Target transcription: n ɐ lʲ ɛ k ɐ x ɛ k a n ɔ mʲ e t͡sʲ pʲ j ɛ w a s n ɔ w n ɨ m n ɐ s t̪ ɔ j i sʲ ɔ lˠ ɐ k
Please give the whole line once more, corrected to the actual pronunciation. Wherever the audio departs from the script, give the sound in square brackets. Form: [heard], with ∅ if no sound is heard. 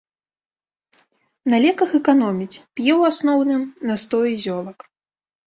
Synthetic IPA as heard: n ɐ lʲ ɛ k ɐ x ɛ k a n ɔ mʲ [i] t͡sʲ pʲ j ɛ w a s n ɔ w n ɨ m n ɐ s t̪ ɔ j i [zʲ] ɔ lˠ ɐ k